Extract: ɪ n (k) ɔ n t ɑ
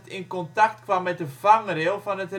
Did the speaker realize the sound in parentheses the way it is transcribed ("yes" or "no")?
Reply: yes